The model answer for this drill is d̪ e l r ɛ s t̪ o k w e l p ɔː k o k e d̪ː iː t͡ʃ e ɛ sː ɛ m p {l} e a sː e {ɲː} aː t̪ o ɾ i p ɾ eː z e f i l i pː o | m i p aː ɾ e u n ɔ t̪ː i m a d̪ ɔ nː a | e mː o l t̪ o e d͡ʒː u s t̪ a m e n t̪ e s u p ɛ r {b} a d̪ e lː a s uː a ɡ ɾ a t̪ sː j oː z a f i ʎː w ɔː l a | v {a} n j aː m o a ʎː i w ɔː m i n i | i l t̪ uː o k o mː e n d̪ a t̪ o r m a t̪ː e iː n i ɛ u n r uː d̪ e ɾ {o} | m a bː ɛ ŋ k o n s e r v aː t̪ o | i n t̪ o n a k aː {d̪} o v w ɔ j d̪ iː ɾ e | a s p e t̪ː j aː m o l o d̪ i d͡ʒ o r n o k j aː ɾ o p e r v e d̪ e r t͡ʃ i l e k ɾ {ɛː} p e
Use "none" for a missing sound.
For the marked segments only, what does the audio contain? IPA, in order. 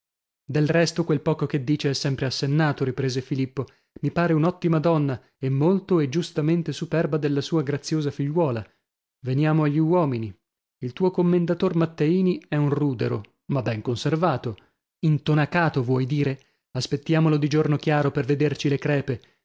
ɾ, nː, b, e, o, t̪, ɛː

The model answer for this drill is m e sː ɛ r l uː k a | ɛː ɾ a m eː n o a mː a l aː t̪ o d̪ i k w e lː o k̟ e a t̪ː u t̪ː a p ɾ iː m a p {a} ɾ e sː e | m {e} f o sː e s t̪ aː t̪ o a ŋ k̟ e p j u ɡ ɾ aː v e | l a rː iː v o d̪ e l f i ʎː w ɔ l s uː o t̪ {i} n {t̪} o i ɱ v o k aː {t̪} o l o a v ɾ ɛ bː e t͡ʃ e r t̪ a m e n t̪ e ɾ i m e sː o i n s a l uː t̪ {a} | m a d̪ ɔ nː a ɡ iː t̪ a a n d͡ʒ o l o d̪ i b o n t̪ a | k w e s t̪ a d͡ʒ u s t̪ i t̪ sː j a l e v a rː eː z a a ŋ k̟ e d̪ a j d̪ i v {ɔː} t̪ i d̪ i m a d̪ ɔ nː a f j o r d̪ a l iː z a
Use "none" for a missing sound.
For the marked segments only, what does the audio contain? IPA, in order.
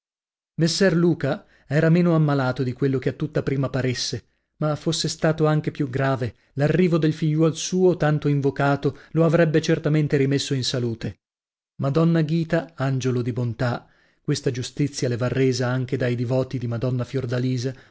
a, a, a, t̪, t̪, e, ɔː

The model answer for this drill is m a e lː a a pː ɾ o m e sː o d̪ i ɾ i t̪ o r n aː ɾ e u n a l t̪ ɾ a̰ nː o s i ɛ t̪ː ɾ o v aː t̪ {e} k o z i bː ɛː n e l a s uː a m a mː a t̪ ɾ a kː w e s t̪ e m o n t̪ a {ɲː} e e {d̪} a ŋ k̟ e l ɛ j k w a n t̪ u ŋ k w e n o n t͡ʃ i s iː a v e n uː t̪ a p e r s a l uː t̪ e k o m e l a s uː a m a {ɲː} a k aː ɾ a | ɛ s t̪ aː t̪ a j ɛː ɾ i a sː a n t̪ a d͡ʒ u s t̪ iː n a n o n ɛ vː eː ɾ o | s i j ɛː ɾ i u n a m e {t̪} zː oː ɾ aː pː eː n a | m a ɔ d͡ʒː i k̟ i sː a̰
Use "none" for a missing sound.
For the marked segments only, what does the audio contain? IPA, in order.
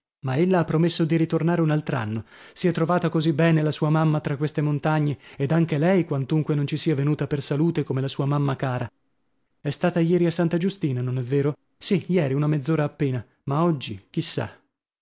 a, ɲː, d̪, mː, d̪

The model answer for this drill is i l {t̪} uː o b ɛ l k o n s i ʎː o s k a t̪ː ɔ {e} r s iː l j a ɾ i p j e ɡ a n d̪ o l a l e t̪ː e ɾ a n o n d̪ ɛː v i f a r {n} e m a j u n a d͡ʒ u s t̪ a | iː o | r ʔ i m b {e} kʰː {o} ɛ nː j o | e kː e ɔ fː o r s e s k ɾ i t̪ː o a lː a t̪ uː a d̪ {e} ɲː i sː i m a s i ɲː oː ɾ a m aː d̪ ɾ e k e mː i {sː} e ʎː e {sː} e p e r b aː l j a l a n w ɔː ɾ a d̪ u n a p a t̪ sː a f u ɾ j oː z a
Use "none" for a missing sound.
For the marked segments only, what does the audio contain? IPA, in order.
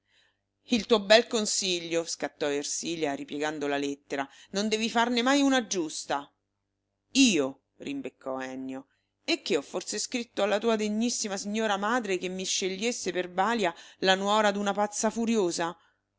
t̪, e, n, e, ɔ, e, ʃː, sː

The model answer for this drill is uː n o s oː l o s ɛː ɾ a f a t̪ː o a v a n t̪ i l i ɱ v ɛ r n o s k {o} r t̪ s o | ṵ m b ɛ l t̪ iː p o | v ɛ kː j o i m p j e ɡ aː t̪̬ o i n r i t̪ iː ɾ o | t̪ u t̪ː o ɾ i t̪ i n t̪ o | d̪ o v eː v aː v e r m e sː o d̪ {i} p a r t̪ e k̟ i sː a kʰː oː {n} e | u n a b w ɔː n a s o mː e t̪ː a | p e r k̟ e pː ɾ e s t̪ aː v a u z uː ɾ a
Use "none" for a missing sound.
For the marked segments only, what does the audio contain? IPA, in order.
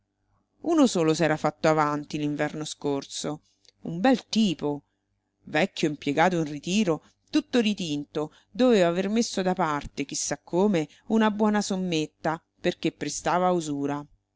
o, a, m

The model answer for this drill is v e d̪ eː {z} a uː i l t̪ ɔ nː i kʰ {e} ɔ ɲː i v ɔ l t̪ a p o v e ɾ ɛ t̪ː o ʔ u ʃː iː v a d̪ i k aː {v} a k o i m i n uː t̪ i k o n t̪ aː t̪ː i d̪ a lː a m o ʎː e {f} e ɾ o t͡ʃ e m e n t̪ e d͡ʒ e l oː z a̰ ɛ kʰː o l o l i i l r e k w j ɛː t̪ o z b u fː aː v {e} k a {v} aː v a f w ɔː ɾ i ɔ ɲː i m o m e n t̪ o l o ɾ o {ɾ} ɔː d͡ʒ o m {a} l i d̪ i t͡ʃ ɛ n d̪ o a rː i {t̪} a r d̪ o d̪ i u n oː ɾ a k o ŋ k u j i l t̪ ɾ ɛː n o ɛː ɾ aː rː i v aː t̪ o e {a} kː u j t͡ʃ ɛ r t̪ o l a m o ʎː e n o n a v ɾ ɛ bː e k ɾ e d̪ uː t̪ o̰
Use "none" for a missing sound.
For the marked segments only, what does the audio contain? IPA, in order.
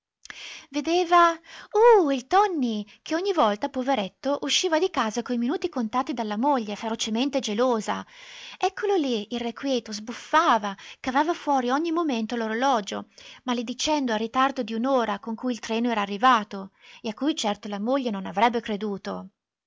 v, e, z, f, a, v, l, a, t̪, a

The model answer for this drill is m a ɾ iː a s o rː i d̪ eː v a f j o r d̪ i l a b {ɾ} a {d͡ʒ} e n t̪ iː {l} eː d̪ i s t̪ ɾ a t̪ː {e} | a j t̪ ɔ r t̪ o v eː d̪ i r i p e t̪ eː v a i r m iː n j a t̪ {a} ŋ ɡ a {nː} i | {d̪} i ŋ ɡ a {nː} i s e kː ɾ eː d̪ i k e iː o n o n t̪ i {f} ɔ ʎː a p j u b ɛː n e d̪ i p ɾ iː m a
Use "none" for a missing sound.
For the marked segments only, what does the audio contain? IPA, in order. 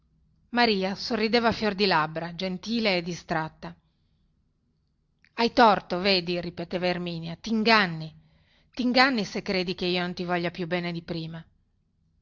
ɾ, d͡ʒ, l, a, i, nː, t̪, nː, v

